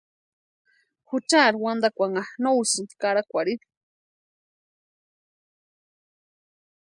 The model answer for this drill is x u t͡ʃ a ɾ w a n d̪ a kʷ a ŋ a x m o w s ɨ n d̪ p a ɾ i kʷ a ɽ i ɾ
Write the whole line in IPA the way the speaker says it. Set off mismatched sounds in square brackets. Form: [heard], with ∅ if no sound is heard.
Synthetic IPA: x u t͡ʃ a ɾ w a n d̪ a kʷ a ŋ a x [n] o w s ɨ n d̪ [k] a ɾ [a] kʷ a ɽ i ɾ